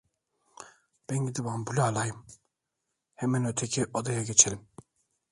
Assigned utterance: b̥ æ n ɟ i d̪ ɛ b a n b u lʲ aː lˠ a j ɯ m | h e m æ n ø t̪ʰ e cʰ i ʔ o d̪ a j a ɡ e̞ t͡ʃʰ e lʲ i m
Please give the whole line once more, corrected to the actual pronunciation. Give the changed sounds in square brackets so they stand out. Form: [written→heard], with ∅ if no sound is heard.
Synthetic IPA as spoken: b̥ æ n ɟ i d̪ [ɛ→i] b a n b u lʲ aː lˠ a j ɯ m | h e m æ n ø t̪ʰ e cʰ i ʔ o d̪ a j a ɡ e̞ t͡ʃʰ e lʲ i m